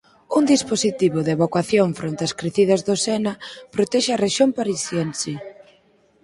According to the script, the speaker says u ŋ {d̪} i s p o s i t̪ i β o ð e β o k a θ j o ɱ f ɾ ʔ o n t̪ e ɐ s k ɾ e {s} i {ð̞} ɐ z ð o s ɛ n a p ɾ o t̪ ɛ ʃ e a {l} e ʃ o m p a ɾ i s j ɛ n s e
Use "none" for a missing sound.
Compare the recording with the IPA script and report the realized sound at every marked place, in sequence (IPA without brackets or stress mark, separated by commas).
d̪, θ, ð̞, r